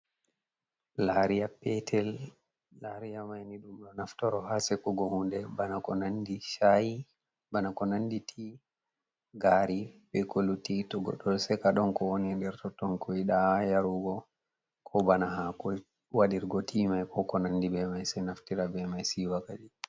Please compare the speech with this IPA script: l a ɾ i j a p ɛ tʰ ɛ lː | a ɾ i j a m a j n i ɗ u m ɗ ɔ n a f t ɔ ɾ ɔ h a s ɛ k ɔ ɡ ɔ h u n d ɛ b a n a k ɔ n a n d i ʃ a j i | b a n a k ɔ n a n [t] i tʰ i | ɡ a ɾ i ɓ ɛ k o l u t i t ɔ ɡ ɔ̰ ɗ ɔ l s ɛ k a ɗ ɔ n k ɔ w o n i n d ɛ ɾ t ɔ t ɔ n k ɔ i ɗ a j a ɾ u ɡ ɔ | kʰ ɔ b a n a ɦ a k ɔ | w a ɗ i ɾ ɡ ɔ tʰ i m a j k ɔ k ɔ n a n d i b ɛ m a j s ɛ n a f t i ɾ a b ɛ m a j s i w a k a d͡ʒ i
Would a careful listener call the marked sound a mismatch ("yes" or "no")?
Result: yes